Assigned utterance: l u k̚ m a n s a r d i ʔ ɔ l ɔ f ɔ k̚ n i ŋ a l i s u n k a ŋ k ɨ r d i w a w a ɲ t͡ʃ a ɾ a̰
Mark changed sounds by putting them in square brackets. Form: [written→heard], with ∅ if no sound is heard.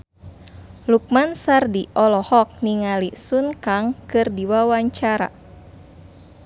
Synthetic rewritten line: l u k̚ m a n s a r d i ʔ ɔ l ɔ [f→h] ɔ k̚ n i ŋ a l i s u n k a ŋ k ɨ r d i w a w a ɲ t͡ʃ a ɾ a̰